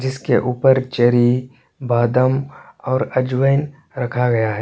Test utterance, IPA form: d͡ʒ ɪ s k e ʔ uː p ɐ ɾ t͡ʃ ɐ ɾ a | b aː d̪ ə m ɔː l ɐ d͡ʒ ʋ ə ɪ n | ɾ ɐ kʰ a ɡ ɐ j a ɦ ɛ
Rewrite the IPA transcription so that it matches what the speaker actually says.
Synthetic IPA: d͡ʒ ɪ s k e ʔ uː p ə ɾ t͡ʃ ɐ ɾ i | b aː d̪ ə m ɔː ɾ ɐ d͡ʒ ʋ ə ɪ n | ɾ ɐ kʰ a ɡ ɐ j a ɦ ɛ